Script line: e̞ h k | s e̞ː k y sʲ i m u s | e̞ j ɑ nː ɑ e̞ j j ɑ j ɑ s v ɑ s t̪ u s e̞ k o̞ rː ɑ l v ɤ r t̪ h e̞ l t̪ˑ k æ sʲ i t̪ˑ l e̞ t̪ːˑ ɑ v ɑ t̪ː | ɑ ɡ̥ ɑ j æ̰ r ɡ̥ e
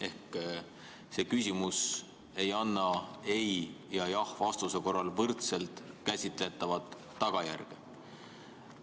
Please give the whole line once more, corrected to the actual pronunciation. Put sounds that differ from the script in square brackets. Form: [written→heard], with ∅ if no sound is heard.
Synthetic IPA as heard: e̞ h k | s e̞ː k y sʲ i m u s | e̞ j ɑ nː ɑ e̞ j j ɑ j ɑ [s→h] v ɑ s t̪ u s e̞ k o̞ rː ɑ l v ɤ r t̪ [h→s] e̞ l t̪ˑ k æ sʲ i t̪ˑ l e̞ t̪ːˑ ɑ v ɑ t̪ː | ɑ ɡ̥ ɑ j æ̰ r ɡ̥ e